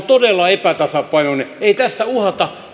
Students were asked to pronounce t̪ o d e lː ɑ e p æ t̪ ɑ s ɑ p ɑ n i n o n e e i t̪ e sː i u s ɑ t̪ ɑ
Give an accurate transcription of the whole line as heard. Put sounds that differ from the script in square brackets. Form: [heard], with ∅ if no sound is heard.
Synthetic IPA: t̪ o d e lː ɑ e p æ t̪ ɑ s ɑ p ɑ [∅] i n o n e e i t̪ [æ] sː [æ] u [h] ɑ t̪ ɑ